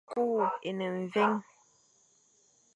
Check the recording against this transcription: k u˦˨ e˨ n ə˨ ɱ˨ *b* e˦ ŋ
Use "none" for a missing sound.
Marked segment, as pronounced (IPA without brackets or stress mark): v